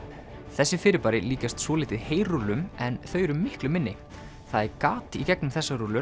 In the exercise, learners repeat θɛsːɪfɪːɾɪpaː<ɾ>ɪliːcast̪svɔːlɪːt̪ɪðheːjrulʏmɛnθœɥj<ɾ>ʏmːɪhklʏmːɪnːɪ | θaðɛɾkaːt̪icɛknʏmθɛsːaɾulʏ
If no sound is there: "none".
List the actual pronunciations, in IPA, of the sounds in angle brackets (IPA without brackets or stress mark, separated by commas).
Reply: ɾ, ɾ